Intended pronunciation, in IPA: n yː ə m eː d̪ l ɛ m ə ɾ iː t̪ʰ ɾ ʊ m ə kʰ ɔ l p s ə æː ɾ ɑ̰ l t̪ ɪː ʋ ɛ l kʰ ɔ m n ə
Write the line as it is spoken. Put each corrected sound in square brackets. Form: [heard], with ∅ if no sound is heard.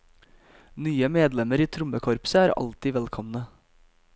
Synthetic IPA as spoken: n yː ə m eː d̪ l ɛ m ə ɾ iː t̪ʰ ɾ ʊ m ə kʰ ɔ [ɾ] p s ə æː ɾ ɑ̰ l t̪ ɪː ʋ ɛ l kʰ ɔ m n ə